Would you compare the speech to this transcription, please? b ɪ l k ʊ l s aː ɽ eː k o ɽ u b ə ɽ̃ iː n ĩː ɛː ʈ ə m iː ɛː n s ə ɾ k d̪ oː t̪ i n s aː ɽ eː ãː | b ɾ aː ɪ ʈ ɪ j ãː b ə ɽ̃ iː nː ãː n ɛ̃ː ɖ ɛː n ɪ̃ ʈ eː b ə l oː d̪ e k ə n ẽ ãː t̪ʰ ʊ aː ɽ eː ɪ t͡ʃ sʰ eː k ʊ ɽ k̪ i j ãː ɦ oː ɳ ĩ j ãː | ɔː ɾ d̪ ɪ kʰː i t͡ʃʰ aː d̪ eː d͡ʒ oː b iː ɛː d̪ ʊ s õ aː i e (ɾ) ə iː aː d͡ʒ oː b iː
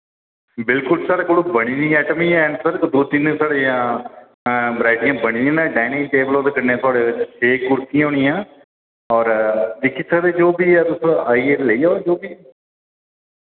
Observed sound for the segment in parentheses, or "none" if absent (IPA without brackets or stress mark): l